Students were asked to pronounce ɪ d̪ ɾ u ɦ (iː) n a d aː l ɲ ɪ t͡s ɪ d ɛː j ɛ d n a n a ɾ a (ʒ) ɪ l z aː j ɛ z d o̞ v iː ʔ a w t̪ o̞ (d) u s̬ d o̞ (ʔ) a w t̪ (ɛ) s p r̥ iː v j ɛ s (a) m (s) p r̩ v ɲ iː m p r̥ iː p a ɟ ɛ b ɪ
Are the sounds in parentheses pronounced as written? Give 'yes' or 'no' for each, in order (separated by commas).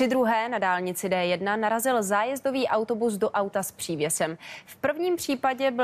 no, no, no, yes, no, no, no